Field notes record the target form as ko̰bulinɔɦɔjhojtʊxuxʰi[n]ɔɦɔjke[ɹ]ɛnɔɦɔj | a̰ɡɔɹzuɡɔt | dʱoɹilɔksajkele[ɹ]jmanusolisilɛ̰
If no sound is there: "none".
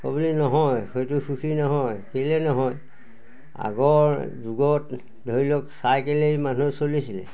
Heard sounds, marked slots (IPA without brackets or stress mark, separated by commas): n, l, none